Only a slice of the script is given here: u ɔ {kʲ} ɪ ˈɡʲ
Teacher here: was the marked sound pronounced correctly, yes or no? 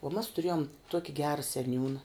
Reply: yes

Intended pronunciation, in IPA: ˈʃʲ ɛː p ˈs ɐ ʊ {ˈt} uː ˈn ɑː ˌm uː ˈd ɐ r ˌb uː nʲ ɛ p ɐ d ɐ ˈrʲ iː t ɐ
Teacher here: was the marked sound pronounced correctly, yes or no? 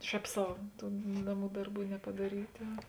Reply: yes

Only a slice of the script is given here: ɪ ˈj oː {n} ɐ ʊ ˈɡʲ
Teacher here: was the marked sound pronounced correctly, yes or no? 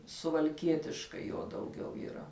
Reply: no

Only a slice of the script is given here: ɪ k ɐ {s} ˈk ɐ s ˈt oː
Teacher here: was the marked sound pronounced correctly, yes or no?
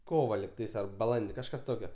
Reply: no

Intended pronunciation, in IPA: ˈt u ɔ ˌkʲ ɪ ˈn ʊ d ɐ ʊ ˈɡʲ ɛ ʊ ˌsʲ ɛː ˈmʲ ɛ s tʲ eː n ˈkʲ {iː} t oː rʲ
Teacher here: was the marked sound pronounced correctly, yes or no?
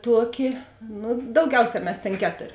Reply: no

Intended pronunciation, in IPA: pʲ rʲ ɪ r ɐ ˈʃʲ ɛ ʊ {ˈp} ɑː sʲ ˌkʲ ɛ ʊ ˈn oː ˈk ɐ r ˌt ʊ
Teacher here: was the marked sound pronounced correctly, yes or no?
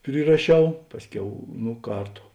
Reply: yes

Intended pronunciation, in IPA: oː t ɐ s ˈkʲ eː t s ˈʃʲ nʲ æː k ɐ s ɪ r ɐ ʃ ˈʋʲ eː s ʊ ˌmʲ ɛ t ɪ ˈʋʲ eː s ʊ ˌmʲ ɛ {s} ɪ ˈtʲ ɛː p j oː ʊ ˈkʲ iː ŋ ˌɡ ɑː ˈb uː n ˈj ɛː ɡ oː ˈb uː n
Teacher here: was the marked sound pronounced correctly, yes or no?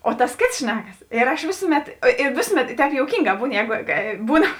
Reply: no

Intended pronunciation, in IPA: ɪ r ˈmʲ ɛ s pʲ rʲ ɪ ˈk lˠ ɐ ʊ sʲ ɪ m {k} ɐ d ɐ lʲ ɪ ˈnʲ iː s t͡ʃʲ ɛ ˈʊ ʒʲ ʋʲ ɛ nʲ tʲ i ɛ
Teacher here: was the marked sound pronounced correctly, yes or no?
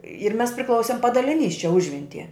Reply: no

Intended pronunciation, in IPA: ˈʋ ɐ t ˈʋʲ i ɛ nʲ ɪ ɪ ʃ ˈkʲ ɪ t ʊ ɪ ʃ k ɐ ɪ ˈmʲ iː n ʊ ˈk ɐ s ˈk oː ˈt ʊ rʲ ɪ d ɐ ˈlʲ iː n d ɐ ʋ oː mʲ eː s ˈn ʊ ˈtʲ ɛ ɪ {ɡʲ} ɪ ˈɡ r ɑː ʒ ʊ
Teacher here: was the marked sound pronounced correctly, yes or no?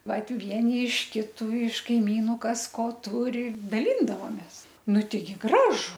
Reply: yes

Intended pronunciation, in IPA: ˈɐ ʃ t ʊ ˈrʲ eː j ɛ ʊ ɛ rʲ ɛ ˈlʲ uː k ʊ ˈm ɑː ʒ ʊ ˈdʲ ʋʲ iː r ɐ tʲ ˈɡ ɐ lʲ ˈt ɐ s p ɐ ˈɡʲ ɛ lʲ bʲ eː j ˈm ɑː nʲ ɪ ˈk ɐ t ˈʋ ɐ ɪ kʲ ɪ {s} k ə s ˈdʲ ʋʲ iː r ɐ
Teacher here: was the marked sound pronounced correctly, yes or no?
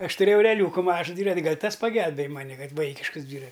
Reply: no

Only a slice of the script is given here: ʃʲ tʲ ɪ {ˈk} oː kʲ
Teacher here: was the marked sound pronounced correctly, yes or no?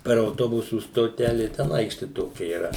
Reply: no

